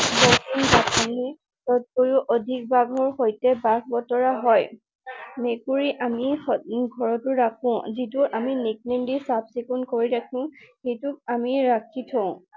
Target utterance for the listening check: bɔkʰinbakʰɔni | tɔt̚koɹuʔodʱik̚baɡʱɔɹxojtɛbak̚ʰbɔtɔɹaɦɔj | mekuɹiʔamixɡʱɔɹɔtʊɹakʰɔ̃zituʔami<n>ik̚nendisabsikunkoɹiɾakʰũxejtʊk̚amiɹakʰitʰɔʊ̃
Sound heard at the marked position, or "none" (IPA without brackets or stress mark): n